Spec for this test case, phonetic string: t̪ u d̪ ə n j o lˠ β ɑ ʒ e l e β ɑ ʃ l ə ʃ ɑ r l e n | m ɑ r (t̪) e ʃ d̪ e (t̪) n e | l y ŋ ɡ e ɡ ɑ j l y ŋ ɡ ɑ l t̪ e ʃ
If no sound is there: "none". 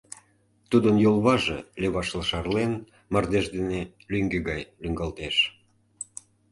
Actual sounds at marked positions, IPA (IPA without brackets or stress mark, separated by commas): d̪, none